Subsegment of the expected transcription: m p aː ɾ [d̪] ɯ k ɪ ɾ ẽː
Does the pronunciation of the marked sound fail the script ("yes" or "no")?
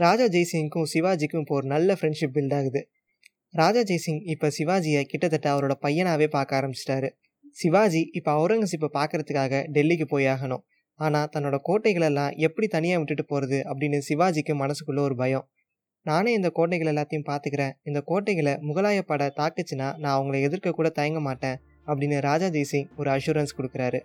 yes